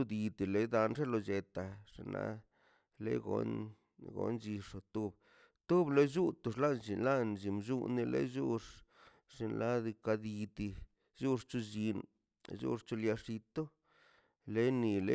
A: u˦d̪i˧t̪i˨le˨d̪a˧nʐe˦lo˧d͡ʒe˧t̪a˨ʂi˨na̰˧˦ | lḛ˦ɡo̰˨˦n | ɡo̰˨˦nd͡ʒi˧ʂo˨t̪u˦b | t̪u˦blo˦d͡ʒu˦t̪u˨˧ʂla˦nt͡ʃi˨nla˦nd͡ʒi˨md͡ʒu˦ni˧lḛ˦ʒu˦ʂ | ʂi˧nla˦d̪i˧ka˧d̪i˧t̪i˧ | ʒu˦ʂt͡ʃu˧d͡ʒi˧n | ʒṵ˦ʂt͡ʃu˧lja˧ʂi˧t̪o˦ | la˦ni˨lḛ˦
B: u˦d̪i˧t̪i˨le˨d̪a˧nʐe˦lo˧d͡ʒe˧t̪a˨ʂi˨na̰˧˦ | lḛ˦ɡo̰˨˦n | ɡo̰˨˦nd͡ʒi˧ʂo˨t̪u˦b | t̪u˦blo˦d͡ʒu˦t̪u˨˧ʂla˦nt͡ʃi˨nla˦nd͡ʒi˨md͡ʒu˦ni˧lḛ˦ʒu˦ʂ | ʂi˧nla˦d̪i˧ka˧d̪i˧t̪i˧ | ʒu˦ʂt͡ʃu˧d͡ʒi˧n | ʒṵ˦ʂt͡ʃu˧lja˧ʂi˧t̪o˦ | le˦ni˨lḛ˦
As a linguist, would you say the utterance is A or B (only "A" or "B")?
B